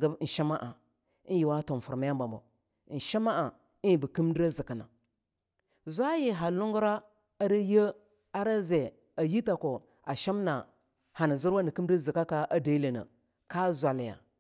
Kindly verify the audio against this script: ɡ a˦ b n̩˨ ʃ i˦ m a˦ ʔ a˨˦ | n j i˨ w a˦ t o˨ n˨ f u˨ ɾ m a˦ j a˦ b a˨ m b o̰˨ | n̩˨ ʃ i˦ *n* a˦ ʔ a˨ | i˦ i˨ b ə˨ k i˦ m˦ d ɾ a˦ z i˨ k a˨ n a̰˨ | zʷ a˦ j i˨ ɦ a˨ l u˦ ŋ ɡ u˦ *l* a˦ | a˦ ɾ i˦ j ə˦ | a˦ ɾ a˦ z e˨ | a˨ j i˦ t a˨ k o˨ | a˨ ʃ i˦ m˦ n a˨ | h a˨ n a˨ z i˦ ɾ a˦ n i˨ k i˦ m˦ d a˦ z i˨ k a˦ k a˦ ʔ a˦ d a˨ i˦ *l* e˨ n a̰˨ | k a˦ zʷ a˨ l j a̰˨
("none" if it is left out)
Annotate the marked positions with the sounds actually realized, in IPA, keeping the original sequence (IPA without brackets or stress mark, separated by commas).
m, ɾ, l